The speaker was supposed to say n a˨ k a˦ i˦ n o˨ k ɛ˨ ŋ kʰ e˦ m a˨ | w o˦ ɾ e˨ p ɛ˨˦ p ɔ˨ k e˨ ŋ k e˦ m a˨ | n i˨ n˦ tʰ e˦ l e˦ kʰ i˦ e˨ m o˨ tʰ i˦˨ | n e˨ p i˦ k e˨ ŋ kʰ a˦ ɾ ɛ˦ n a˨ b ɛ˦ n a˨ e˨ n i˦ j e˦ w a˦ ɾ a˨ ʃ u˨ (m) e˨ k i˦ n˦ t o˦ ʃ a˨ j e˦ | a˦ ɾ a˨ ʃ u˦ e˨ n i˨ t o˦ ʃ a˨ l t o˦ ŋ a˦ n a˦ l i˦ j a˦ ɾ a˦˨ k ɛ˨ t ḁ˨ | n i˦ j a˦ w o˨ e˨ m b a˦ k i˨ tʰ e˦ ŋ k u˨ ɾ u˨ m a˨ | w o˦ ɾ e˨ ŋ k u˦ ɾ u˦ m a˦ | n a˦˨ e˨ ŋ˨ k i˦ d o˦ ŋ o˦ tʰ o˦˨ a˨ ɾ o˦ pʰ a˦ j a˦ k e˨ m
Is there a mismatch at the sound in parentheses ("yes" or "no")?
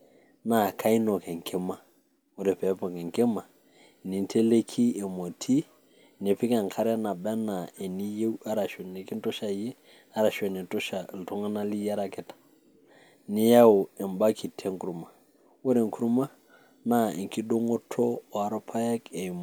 yes